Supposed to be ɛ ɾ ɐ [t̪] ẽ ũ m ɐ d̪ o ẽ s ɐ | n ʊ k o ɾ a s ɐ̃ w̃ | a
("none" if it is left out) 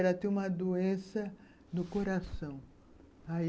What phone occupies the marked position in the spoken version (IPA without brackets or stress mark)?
t̪